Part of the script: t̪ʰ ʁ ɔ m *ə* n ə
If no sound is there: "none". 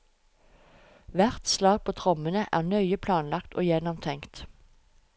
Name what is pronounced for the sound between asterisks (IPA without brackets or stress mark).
ə